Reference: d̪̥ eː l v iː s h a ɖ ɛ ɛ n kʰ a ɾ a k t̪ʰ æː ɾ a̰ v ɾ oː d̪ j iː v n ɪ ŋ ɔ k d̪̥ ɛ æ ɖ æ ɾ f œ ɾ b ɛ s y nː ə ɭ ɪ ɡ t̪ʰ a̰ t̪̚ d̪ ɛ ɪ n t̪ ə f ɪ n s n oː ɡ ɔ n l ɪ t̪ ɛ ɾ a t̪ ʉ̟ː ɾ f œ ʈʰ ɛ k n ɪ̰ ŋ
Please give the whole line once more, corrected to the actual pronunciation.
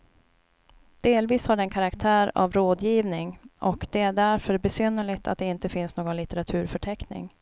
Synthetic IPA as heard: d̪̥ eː l v iː s h a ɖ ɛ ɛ n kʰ a ɾ a k t̪ʰ æː ɾ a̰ v ɾ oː d̪ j iː v n ɪ ŋ ɔ k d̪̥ ɛ æ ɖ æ ɾ f œ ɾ b ɛ s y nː ə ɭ ɪ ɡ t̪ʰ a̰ t̪̚ d̪ ɛ ɪ n t̪ ə f ɪ n s n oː ɡ ɔ n l ɪ t̪ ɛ ɾ a t̪ʰ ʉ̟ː ɾ f œ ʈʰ ɛ k n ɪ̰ ŋ